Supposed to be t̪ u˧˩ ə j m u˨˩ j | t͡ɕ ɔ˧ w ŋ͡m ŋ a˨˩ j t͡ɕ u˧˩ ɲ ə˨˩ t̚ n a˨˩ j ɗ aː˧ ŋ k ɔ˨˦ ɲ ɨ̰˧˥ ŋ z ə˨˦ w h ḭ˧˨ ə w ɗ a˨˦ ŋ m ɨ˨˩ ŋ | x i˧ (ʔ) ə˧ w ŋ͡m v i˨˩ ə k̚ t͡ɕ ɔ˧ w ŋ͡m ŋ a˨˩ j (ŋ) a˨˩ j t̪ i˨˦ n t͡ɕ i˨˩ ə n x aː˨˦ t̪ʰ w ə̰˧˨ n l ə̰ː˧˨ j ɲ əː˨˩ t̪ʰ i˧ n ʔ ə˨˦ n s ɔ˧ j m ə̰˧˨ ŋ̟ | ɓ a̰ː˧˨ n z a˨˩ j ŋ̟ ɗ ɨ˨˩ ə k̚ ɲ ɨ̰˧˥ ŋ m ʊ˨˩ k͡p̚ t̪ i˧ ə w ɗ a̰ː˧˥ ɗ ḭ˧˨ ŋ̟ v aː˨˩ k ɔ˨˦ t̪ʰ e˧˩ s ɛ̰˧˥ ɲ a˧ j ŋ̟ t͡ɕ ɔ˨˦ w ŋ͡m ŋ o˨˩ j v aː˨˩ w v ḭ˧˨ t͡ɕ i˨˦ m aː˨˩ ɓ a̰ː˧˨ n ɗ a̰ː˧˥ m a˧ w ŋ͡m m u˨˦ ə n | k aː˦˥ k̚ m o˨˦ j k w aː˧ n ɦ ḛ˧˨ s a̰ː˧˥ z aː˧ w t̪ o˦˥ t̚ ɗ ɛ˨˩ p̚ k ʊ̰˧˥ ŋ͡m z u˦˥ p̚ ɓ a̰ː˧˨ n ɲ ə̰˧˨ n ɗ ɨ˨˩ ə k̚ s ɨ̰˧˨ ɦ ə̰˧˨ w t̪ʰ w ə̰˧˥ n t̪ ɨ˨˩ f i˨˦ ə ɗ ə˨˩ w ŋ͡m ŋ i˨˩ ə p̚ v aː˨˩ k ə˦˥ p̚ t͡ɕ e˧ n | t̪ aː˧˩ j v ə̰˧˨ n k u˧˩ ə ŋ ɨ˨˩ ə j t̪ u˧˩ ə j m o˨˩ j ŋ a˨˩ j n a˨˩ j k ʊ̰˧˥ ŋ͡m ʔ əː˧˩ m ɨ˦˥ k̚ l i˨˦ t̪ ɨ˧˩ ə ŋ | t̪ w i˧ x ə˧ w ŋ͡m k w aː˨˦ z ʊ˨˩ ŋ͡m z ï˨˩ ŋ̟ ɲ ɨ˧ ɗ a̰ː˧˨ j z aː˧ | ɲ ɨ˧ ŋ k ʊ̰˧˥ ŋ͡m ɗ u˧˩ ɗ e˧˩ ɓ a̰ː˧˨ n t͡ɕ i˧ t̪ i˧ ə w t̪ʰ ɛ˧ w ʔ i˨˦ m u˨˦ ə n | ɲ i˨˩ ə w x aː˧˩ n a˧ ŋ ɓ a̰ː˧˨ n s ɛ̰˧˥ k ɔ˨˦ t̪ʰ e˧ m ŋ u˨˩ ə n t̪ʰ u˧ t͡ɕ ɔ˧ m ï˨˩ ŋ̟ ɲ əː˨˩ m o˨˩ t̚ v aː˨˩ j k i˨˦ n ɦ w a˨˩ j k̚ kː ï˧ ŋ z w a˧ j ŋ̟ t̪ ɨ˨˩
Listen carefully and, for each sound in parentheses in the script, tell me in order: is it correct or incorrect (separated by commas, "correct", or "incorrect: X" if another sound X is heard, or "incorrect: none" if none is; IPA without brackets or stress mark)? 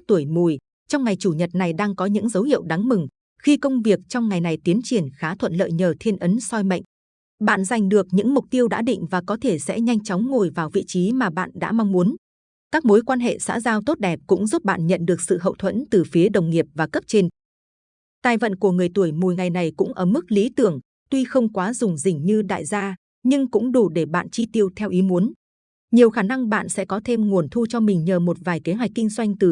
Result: incorrect: k, incorrect: n